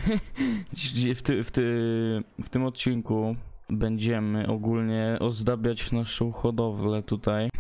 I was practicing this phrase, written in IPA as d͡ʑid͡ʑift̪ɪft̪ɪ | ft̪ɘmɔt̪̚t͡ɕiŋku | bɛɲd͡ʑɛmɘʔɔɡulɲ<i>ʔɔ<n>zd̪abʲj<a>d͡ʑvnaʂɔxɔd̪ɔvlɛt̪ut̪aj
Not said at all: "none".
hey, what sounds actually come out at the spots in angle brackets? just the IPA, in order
ɛ, none, a

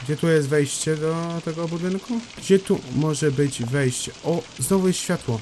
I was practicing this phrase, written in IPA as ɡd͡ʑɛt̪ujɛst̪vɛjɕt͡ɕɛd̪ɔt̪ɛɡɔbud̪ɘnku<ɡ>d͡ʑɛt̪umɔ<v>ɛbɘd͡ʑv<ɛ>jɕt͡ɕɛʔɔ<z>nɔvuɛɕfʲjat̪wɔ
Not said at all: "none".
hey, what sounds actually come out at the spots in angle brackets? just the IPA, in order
ɡ, ʐ, ɛ, z

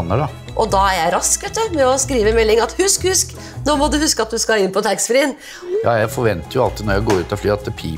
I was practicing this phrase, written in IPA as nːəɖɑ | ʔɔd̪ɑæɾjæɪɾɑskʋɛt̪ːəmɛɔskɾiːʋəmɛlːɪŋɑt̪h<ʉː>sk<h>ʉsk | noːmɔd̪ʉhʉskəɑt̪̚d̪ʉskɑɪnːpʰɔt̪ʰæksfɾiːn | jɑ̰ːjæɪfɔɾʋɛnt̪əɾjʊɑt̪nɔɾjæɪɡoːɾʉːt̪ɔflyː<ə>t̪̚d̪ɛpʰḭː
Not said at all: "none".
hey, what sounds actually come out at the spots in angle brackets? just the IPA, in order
ʉ, h, ɑ

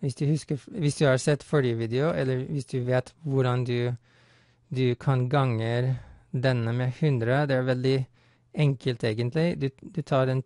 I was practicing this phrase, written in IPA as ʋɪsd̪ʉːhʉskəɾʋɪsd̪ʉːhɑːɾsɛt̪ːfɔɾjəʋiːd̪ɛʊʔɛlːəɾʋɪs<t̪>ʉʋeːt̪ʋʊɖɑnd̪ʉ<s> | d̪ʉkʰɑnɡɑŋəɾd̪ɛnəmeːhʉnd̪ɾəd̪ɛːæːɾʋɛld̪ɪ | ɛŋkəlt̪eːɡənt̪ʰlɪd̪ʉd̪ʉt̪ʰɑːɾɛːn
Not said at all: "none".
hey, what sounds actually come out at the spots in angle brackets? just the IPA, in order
d̪, none

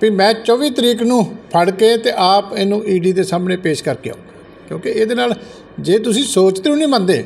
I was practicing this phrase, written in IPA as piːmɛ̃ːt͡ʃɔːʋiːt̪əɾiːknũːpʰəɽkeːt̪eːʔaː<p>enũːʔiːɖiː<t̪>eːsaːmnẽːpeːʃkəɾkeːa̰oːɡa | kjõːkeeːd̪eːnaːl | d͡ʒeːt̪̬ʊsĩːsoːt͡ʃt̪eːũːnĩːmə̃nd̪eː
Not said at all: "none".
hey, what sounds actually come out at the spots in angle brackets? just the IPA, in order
p, d̪

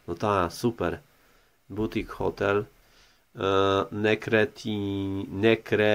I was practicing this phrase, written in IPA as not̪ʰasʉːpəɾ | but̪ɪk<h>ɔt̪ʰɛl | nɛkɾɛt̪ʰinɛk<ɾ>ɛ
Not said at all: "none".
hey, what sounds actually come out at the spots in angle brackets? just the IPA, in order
h, ɾ

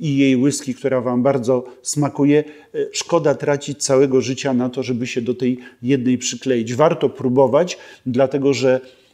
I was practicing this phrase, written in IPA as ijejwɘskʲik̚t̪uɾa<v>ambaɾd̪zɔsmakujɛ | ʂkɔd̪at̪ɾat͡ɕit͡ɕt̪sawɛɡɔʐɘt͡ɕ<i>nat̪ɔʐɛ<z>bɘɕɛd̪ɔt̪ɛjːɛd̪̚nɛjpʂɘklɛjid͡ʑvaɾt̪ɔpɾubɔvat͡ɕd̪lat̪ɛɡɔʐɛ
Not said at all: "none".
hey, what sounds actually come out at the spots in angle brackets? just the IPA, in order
v, a, none

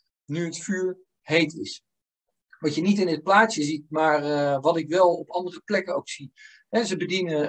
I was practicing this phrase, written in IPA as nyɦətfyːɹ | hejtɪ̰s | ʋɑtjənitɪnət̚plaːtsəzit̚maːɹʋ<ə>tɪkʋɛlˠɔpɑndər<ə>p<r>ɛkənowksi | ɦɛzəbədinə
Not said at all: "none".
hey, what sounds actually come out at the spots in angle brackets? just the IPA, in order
ɑ, ə, l

